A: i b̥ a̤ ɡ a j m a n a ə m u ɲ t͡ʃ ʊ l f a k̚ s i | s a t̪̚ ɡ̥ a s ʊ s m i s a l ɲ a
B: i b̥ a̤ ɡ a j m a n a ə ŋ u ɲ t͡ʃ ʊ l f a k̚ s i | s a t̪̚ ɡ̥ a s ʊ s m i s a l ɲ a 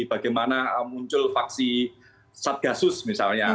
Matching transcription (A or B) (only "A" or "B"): A